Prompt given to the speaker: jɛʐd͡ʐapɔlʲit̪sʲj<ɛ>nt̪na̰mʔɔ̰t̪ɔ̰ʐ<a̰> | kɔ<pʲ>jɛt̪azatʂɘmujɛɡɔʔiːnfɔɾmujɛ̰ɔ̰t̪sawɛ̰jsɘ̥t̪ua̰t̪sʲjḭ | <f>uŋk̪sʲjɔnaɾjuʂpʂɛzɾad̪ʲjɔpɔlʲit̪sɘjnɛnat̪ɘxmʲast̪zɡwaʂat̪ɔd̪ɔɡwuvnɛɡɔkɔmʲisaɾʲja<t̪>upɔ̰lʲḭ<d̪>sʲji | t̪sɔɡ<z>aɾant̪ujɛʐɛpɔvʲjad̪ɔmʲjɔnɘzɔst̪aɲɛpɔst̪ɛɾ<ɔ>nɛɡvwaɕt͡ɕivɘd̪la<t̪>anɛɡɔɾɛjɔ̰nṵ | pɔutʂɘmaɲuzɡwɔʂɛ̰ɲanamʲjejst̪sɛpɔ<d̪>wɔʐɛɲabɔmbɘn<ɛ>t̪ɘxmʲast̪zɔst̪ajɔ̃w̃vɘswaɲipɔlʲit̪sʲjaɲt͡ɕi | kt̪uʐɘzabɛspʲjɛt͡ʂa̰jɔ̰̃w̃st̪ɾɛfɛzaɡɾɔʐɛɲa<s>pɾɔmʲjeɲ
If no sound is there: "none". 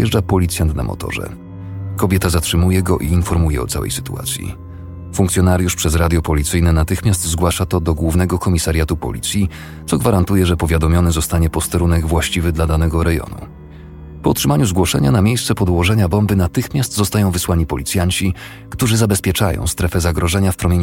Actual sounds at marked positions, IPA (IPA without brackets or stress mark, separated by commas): a, ɛ̰, bʲ, f, t̪, t̪, v, u, d̪, d̪, a, f